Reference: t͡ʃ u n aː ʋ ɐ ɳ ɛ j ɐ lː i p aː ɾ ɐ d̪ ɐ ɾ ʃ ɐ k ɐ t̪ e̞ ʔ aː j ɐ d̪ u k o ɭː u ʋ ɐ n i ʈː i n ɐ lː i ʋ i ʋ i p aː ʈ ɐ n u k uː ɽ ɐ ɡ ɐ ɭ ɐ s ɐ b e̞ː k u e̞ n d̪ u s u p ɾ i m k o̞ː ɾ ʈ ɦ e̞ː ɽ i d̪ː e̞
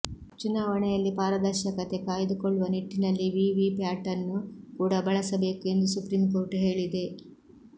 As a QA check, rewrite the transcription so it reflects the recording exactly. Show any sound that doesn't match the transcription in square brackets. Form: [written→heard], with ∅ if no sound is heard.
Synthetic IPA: t͡ʃ u n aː ʋ ɐ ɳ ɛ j ɐ lː i p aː ɾ ɐ d̪ ɐ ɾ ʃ ɐ k ɐ t̪ e̞ [ʔ→k] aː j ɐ d̪ u k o ɭː u ʋ ɐ n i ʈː i n ɐ lː i ʋ i ʋ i p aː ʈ ɐ n u k uː ɽ ɐ [ɡ→b] ɐ ɭ ɐ s ɐ b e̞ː k u e̞ n d̪ u s u p ɾ i m k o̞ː ɾ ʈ ɦ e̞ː [ɽ→ɭ] i [d̪ː→d̪] e̞